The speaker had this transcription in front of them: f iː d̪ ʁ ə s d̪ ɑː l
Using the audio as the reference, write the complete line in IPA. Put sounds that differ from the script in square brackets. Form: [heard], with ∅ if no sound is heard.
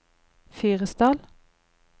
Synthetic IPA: f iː [∅] ʁ ə s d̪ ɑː l